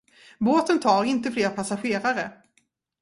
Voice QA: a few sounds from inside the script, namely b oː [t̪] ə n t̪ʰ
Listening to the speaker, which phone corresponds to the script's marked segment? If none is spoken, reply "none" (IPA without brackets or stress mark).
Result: t̪